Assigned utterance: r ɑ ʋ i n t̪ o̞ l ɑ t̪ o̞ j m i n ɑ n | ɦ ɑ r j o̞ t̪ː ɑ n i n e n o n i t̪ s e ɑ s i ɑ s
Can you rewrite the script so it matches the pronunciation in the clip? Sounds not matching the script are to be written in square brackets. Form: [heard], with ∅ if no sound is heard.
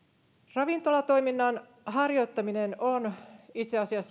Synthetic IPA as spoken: r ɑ ʋ i n t̪ o̞ l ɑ t̪ o̞ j m i [nː] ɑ n | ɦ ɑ r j o̞ t̪ː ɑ [m] i n e n o n i t̪ s e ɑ s i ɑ [sː]